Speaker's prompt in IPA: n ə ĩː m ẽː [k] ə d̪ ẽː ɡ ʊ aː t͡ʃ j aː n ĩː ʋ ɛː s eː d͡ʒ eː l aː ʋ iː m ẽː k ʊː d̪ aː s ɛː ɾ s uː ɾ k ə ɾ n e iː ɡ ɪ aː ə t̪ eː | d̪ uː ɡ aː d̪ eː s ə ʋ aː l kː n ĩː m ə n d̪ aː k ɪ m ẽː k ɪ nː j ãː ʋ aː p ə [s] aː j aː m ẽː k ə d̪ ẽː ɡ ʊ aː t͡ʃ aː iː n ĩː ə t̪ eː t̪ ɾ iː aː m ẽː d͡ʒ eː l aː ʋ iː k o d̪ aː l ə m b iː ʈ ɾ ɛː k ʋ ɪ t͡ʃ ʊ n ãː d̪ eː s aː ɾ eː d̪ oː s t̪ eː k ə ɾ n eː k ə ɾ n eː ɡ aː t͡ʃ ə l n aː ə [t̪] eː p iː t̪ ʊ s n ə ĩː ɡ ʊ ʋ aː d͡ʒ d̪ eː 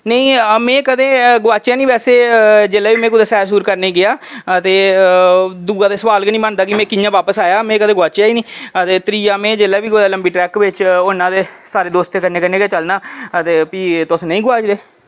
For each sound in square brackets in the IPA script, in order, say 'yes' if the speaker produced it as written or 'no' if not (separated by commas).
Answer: yes, yes, yes